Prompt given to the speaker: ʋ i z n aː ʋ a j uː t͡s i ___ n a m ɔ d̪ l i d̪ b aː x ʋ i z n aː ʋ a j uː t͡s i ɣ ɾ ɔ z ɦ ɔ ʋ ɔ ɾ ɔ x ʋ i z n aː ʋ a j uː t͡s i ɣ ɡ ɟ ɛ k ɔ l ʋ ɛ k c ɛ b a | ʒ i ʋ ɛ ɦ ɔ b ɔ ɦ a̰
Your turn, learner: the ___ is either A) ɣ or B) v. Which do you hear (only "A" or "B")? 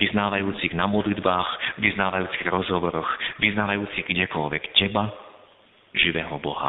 A